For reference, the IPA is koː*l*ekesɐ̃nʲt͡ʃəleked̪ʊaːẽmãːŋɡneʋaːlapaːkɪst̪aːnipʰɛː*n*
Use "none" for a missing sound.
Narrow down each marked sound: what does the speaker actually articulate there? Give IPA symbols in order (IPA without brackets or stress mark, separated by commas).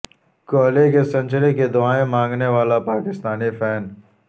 l, n